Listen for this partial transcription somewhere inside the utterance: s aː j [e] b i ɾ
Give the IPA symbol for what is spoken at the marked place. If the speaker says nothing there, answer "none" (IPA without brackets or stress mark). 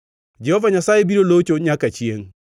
e